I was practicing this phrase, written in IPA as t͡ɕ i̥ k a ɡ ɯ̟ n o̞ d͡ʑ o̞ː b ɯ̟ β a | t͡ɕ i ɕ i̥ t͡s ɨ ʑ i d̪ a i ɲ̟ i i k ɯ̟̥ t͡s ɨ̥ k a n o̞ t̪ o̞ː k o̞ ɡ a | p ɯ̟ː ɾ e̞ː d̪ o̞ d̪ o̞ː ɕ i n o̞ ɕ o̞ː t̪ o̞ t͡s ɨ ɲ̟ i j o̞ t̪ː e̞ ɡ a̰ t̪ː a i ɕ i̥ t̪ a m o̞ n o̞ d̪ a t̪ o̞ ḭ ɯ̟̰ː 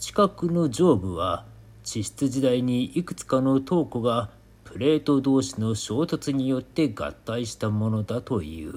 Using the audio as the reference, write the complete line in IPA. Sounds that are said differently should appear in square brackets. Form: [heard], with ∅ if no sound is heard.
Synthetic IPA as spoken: t͡ɕ i̥ k a [k] ɯ̟ n o̞ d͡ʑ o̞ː b ɯ̟ β a | t͡ɕ i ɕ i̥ t͡s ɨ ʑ i d̪ a i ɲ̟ i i k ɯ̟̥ t͡s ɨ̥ k a n o̞ t̪ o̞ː k o̞ ɡ a | p [ɯ̟] ɾ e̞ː [t̪] o̞ d̪ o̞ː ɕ i n o̞ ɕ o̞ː t̪ o̞ t͡s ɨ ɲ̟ i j o̞ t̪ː e̞ ɡ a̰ t̪ː a i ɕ i̥ t̪ a m o̞ n o̞ d̪ a t̪ o̞ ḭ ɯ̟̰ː